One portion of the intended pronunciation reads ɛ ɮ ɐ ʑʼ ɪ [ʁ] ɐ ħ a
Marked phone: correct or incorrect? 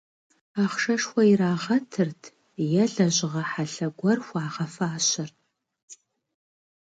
correct